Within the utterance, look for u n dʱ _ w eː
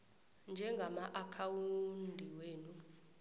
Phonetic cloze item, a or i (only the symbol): i